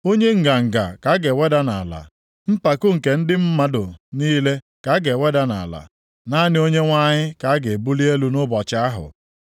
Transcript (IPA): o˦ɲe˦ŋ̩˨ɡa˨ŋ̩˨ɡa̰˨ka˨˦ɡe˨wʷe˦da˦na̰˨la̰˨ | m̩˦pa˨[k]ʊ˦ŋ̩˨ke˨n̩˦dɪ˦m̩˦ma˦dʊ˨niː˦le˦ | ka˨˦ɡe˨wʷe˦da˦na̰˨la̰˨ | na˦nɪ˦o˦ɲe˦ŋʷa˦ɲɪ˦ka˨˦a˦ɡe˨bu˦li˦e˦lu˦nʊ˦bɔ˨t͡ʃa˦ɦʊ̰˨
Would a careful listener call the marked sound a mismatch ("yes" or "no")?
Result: no